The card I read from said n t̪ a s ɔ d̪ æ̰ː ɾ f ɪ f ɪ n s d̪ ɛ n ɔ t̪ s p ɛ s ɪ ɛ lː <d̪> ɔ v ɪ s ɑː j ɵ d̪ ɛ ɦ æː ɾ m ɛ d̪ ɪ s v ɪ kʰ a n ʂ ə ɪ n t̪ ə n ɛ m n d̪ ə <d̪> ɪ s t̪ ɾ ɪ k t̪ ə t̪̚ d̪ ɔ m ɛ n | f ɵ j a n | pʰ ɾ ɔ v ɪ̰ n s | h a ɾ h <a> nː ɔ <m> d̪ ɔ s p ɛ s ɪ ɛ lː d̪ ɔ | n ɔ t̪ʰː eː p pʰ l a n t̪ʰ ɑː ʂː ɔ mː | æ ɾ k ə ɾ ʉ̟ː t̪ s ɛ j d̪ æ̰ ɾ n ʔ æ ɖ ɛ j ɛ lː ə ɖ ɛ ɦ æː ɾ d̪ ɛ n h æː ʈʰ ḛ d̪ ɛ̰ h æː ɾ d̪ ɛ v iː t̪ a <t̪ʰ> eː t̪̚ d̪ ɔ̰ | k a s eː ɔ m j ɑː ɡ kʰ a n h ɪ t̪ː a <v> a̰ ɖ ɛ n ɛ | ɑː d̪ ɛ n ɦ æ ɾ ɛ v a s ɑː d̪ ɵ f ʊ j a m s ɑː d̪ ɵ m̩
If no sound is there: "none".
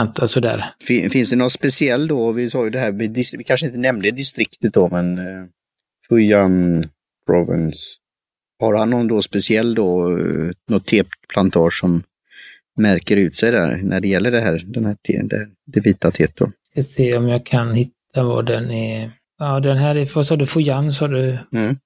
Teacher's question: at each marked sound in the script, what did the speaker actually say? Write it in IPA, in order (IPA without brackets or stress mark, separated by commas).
d̪, d̪, a, n, t̪ʰ, v